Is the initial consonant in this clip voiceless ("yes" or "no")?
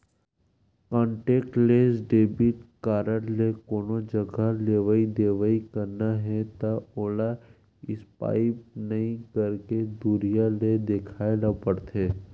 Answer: yes